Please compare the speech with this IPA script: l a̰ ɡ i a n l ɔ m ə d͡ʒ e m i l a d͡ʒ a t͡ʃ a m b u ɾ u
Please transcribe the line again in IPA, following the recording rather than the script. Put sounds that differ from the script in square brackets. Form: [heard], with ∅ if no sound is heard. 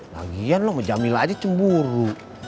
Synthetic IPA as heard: l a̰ ɡ i a n l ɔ m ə d͡ʒ [a] m i l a d͡ʒ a t͡ʃ [ə] m b u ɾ u